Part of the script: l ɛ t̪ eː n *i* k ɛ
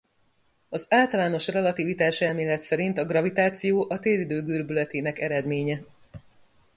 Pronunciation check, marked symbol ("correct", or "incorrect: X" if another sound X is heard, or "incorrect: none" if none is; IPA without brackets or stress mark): incorrect: ɛ